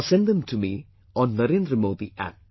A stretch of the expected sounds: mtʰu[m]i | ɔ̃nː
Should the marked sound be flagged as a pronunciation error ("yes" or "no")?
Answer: no